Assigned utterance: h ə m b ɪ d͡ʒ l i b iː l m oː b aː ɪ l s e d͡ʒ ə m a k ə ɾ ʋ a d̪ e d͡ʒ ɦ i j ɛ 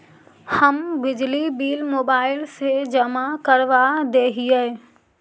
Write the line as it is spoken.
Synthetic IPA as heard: h ə m b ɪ d͡ʒ l i b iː l m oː b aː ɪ l s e d͡ʒ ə m a k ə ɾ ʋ a d̪ e ɦ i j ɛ

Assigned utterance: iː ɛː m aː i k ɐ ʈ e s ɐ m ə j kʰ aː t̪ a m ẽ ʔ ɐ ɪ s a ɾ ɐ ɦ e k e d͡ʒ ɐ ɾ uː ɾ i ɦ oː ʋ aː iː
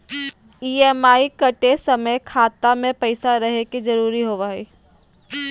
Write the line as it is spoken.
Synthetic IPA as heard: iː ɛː m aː i k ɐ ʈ e s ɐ m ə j kʰ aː t̪ a m ẽ p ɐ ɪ s a ɾ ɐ ɦ e k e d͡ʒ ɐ ɾ uː ɾ i ɦ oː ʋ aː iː

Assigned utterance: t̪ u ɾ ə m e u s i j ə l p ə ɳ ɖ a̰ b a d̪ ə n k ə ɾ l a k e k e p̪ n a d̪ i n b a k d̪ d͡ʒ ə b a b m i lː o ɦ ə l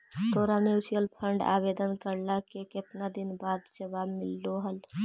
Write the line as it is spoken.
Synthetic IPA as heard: t̪ o ɾ a m e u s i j ə l pʰ ə ɳ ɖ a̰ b e d̪ ə n k ə ɾ l a k e k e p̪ n a d̪ i n b a d̪ d͡ʒ ə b a b m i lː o ɦ ə l

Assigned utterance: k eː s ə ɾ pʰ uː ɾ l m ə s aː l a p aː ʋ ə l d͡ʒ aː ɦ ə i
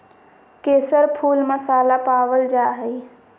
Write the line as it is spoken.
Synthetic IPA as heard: k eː s ə ɾ pʰ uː l m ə s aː l a p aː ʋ ə l d͡ʒ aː ɦ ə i

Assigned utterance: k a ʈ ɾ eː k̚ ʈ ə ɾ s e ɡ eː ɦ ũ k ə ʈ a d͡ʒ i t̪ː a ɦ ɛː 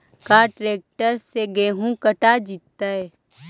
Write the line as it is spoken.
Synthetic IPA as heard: k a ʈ ɾ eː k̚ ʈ ə ɾ s e ɡ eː ɦ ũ k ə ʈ a d͡ʒ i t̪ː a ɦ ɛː

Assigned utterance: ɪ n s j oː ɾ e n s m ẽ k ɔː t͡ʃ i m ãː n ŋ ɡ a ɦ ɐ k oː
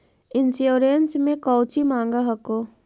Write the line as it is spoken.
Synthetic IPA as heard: ɪ n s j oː ɾ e n s m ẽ k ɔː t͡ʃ i m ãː ŋ ɡ a ɦ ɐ k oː

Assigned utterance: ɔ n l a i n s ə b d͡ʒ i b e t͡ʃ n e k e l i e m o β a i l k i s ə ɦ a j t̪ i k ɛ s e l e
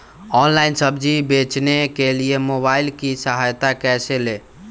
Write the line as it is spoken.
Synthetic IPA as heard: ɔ n l a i n s ə b d͡ʒ i b e t͡ʃ n e k e l i e m o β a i l k i s ə ɦ a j t̪ a k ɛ s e l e

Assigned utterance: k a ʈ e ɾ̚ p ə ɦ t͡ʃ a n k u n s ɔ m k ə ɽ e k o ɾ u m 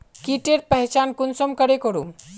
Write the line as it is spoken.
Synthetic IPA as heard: k i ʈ e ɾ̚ p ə ɦ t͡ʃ a n k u n s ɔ m k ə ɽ e k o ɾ u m

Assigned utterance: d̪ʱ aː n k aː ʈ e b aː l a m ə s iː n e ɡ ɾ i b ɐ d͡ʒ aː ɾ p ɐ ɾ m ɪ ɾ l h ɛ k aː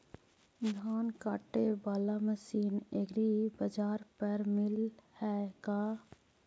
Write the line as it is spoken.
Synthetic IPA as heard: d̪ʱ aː n k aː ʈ e b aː l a m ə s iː n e ɡ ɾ i b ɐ d͡ʒ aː ɾ p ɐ ɾ m ɪ l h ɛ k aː

